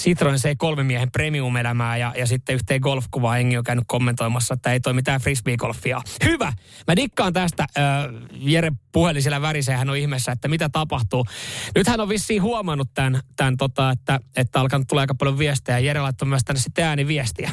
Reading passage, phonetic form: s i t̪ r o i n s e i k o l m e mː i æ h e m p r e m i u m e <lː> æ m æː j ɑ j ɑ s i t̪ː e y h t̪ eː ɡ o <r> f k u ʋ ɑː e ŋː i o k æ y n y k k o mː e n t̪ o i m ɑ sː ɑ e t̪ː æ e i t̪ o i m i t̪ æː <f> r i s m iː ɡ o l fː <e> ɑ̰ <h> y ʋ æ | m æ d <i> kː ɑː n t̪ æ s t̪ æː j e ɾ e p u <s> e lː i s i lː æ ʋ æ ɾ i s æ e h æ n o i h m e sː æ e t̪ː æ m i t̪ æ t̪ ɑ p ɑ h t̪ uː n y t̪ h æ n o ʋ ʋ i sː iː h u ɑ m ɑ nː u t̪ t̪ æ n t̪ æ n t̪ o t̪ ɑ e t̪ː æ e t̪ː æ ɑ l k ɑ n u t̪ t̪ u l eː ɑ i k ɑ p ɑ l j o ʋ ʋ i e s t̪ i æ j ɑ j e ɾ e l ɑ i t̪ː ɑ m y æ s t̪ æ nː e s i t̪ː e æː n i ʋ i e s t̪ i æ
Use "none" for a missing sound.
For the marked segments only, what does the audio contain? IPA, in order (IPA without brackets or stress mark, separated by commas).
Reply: l, l, f, i, h, i, h